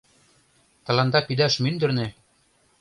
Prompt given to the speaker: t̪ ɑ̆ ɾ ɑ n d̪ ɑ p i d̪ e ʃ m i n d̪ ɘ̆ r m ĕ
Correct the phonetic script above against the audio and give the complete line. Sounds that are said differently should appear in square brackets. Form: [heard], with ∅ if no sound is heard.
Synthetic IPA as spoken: t̪ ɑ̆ [l] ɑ n d̪ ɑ p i d̪ [æ] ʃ m [y] n d̪ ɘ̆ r [n] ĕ